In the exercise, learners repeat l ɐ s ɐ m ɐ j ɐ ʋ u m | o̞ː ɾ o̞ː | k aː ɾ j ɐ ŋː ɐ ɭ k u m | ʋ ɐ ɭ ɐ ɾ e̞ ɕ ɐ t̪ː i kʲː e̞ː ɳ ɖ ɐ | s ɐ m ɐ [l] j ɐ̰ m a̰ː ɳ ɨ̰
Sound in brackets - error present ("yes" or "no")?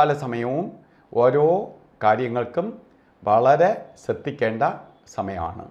yes